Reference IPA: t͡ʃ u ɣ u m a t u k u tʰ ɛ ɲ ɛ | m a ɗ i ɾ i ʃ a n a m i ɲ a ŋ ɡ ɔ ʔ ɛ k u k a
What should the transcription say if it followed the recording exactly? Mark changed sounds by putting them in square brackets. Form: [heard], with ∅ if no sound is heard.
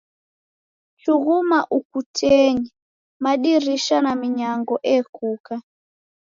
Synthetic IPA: t͡ʃ u ɣ u m a [ʔ] u k u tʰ ɛ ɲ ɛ | m a ɗ i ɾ i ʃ a n a m i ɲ a ŋ ɡ ɔ ʔ ɛ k u k a